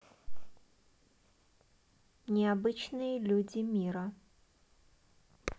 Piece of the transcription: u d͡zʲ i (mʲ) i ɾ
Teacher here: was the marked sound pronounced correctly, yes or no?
yes